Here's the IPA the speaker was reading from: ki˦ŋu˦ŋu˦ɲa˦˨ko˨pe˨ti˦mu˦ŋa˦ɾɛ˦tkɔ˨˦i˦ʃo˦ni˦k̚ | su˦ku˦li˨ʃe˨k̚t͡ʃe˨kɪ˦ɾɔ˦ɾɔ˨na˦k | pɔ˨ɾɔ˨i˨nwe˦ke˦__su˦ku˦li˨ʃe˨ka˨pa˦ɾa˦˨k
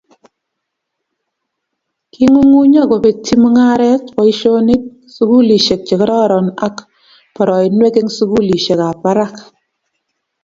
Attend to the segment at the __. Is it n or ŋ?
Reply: ŋ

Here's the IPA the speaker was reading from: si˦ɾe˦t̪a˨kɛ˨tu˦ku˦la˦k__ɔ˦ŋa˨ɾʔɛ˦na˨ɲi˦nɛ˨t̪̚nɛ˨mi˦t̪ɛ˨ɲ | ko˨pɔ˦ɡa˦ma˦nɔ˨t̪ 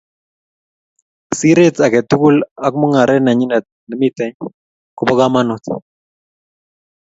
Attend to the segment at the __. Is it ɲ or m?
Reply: m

